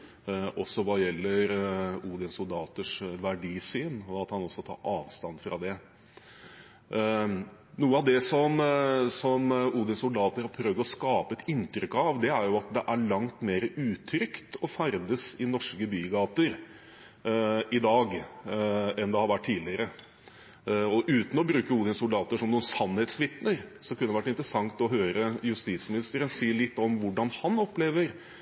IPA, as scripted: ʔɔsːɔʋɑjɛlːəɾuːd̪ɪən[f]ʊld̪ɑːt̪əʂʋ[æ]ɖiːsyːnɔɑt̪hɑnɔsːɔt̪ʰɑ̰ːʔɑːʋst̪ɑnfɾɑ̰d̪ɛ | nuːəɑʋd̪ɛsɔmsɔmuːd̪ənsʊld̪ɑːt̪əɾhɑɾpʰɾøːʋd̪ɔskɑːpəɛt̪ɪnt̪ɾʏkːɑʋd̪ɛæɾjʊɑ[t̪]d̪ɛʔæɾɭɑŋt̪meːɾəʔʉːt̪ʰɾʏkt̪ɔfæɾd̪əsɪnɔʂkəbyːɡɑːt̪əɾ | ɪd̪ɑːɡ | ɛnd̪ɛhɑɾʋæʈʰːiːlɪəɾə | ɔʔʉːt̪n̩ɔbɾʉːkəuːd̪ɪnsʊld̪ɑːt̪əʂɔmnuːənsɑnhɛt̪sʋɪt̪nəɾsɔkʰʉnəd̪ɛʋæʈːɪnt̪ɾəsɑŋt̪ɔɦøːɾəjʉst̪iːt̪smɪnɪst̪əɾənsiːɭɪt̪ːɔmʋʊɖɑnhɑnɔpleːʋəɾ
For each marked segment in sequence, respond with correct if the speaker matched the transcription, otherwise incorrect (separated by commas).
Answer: incorrect, correct, correct